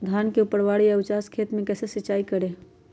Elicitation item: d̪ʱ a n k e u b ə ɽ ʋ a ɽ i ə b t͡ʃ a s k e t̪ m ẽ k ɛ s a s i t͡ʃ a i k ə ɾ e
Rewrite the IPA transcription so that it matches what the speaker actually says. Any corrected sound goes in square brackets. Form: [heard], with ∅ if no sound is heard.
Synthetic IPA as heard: d̪ʱ a n k e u [p] ə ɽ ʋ a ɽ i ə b t͡ʃ a s [kʰ] e t̪ m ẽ k ɛ s [e] s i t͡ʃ a i k ə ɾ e